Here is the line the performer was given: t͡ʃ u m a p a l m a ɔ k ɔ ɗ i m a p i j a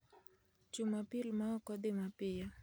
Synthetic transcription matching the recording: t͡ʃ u m a p i l m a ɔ k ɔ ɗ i m a p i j a

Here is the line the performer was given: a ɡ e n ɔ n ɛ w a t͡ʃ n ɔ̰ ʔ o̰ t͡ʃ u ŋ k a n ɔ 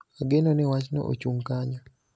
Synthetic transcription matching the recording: a ɡ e n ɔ n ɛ w a t͡ʃ n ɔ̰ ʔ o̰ t͡ʃ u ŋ k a ɲ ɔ

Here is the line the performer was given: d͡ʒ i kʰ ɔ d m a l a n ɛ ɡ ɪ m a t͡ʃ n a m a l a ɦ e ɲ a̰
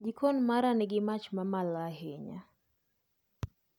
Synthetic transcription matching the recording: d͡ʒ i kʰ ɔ n m a ɾ a n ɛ ɡ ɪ m a t͡ʃ m a m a l a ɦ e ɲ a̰

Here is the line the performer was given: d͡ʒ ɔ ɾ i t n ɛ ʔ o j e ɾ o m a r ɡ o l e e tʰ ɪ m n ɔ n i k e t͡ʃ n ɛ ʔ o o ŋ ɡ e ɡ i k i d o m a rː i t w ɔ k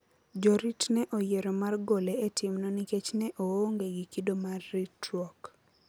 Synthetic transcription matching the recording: d͡ʒ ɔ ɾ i t n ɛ ʔ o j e ɾ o m a r ɡ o l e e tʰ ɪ m n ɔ n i k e t͡ʃ n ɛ ʔ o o ŋ ɡ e ɡ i k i d o m a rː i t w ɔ k

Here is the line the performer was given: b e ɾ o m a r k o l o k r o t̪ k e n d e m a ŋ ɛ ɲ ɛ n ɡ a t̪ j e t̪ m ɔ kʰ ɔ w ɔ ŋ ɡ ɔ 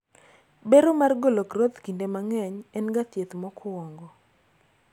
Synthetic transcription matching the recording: b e ɾ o m a r ɡ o l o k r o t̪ k i n d e m a ŋ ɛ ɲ ɛ n ɡ a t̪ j e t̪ m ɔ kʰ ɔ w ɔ ŋ ɡ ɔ

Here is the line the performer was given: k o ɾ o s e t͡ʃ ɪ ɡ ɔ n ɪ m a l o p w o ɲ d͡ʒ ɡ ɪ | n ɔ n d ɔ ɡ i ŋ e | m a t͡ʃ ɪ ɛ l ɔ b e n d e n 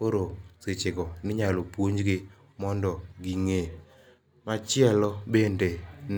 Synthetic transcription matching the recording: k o ɾ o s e t͡ʃ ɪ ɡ ɔ n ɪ ɲ a l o p w o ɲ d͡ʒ ɡ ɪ | m ɔ n d ɔ ɡ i ŋ e | m a t͡ʃ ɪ ɛ l ɔ b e n d e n

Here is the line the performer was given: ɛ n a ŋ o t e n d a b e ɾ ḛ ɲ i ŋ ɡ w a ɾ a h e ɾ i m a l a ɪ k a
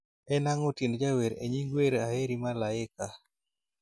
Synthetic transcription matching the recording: ɛ n a ŋ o t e n d͡ʒ a w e ɾ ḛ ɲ i ŋ ɡ w e ɾ a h e ɾ i m a l a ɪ k a

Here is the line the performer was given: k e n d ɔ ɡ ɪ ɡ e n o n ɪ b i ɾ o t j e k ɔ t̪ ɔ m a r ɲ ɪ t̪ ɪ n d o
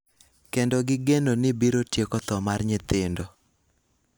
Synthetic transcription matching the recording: k e n d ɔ ɡ ɪ ɡ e n o n ɪ b i ɾ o t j e k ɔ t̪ ɔ m a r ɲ ɪ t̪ ɪ n d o

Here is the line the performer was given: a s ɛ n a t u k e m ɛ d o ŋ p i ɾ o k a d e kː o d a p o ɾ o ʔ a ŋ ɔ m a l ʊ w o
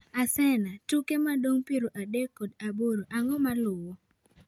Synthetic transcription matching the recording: a s ɛ n a t u k e m a d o ŋ p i ɾ o ʔ a d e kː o d a b o ɾ o ʔ a ŋ ɔ m a l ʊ w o

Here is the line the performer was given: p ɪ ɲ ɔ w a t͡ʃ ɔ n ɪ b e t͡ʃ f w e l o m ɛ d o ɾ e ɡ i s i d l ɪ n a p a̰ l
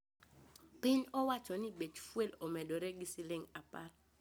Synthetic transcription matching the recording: p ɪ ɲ ɔ w a t͡ʃ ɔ n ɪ b e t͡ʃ f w e l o m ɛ d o ɾ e ɡ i s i l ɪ ŋ a p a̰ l

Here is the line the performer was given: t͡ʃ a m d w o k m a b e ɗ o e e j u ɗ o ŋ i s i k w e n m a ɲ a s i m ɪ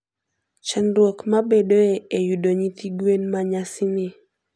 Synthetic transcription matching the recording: t͡ʃ a n d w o k m a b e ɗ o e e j u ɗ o ɲ i t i ɡ w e n m a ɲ a s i n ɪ

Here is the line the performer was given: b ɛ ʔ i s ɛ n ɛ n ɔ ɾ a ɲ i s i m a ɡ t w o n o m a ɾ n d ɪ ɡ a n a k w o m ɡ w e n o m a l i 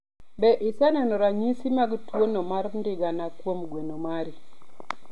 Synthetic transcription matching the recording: b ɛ ʔ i s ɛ n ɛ n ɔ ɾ a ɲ i s i m a ɡ t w o n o m a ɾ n d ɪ ɡ a n a k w o m ɡ w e n o m a ɾ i

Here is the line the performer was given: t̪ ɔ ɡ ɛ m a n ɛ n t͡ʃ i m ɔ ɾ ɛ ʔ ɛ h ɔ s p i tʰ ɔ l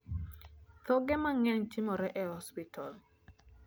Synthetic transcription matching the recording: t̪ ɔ ɡ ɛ m a ŋ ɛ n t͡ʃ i m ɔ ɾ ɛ ʔ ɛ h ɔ s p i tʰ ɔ l

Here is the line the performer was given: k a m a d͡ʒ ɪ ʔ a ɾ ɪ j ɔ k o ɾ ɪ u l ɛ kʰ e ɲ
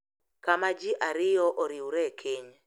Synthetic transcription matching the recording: k a m a d͡ʒ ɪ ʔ a ɾ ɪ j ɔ ʔ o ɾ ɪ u ɾ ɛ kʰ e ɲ

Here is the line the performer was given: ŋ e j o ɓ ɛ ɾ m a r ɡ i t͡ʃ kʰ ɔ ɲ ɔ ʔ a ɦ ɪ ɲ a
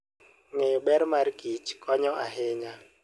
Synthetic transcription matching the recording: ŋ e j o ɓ ɛ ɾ m a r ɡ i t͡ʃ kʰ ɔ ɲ ɔ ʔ a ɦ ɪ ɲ a

